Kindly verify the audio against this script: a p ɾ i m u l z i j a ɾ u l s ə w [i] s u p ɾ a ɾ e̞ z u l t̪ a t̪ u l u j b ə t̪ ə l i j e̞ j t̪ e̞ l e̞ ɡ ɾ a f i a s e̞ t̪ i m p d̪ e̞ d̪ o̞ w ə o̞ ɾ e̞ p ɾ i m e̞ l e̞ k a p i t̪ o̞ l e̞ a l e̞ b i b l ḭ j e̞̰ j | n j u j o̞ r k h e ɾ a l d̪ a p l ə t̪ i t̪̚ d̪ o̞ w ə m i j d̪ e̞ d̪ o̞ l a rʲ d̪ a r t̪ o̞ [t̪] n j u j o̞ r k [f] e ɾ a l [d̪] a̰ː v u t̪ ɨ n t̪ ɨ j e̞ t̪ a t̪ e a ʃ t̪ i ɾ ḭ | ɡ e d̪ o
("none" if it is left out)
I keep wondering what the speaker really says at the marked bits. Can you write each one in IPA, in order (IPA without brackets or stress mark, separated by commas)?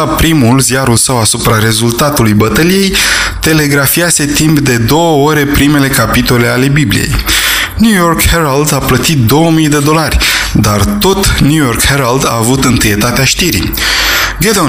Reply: a, t̪, h, d̪